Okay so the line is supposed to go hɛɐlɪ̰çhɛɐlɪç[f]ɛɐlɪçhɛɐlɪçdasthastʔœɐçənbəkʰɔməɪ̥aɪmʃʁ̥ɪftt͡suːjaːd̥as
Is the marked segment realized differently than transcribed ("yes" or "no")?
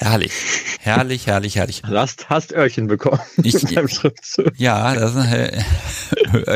yes